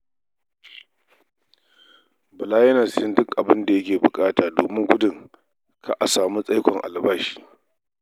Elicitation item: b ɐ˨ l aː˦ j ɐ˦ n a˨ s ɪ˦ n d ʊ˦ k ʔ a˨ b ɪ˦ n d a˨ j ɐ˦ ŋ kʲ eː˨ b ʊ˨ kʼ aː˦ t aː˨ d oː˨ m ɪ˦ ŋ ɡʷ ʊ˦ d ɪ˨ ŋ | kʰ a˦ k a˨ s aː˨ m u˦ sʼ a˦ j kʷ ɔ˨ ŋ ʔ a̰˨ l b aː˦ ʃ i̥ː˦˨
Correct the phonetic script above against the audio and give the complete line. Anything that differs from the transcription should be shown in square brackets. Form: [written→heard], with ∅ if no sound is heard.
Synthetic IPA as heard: b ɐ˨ l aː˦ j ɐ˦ n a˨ s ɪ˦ n d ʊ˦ k ʔ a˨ b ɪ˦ n d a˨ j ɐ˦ [ŋ→∅] kʲ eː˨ b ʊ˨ kʼ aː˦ t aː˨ d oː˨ m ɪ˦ ŋ ɡʷ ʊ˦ d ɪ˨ ŋ | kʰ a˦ [k→ʔ] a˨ s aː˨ m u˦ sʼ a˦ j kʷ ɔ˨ ŋ ʔ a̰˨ l b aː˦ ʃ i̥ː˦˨